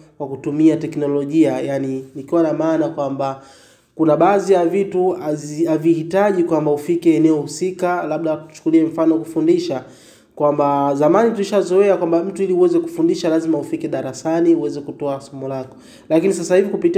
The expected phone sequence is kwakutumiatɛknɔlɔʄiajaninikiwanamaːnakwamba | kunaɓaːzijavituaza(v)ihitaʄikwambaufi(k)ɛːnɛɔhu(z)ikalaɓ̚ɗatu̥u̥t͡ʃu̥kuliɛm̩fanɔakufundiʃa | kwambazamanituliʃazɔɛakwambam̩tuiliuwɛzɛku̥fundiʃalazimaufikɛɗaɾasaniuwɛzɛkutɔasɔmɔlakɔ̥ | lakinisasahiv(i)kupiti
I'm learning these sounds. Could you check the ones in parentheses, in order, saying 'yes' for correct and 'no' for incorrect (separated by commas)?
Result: yes, yes, no, yes